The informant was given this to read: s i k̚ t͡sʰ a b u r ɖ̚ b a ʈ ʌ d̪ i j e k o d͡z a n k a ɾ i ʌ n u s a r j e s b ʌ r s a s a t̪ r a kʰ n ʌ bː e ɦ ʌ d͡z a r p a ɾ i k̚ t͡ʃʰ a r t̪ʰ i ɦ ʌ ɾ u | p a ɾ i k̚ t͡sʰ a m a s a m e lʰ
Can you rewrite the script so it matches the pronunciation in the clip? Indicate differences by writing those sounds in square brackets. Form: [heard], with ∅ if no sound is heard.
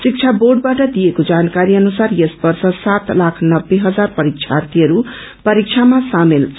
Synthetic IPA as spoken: s i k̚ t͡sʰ a b [o] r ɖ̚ b a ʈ ʌ d̪ i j e k o d͡z a n k a ɾ i ʌ n u s a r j e s b ʌ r s [ʌ] s a t̪ [l] a kʰ n ʌ bː e ɦ ʌ d͡z a r p [ʌ] ɾ i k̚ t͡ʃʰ a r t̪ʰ i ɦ ʌ ɾ u | p [ʌ] ɾ i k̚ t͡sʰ a m a s a m e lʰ